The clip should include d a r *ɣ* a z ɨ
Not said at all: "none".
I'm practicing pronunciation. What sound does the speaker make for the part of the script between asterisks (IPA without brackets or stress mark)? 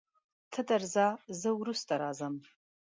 z